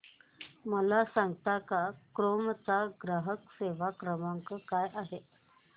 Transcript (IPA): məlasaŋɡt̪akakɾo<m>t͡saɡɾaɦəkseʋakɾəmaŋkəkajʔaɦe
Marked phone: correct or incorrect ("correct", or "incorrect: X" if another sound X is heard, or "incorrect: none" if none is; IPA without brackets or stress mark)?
correct